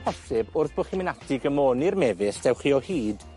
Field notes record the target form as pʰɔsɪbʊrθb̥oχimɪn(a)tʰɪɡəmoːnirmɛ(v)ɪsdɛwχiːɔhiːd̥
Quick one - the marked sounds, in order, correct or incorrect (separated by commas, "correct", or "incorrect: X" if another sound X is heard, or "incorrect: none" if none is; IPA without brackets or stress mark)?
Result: correct, correct